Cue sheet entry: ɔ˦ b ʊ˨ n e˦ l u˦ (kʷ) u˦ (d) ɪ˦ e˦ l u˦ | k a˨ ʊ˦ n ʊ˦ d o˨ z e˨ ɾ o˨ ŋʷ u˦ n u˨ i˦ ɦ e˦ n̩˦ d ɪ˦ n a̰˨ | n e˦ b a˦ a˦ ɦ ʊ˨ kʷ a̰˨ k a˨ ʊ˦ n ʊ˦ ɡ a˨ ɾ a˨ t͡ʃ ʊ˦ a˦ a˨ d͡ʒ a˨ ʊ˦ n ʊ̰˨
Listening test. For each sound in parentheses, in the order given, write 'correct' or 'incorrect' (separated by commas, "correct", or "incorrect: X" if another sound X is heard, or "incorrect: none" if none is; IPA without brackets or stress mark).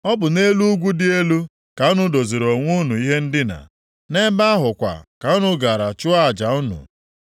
incorrect: ɡʷ, correct